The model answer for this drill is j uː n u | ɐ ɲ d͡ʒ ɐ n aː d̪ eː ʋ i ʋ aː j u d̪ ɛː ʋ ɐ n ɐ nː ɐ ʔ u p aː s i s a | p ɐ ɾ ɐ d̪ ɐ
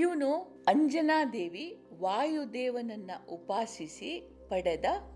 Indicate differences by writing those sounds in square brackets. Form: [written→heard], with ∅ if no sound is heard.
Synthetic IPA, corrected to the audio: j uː n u | ɐ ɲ d͡ʒ ɐ n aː d̪ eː ʋ i ʋ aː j u d̪ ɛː ʋ ɐ n ɐ nː ɐ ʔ u p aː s i s [a→i] | p ɐ [ɾ→ɽ] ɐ d̪ ɐ